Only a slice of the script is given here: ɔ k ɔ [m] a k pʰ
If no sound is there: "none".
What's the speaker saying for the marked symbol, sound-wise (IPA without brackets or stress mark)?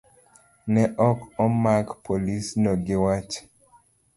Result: m